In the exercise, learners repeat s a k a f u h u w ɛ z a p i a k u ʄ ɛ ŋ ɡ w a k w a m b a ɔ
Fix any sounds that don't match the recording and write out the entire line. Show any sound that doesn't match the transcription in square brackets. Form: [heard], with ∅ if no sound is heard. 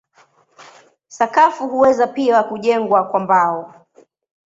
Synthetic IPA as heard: s a k a f u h u w ɛ z a p i a k u ʄ ɛ ŋ ɡ w a k w a m b a ɔ